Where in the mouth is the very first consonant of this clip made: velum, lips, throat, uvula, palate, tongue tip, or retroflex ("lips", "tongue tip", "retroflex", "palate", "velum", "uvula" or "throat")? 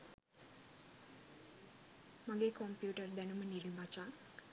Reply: lips